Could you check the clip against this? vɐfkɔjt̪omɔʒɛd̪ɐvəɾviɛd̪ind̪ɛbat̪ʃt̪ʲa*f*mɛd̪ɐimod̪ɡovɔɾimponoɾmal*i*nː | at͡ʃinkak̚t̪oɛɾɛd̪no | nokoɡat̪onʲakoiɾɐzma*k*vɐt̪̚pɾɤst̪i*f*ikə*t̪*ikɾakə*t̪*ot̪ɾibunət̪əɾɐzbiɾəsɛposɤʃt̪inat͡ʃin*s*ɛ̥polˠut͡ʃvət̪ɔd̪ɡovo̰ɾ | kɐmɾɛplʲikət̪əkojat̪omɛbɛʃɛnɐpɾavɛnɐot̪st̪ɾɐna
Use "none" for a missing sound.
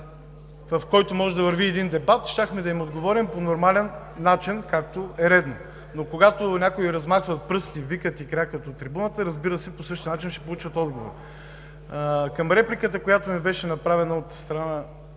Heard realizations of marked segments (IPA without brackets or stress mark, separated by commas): x, ɛ, x, v, t̪, t̪, ʃ